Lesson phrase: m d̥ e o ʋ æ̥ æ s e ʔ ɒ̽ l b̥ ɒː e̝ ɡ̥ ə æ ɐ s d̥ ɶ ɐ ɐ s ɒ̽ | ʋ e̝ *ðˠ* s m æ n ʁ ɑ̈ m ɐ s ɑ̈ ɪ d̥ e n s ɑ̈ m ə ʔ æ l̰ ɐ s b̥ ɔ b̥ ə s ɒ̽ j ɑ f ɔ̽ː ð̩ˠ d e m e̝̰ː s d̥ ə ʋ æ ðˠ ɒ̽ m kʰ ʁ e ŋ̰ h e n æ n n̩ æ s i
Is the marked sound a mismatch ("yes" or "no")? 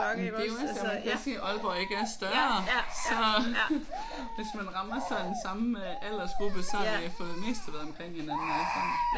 yes